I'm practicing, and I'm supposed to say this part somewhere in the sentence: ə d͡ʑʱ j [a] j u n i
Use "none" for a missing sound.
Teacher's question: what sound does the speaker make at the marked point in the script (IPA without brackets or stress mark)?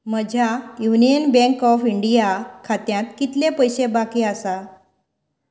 a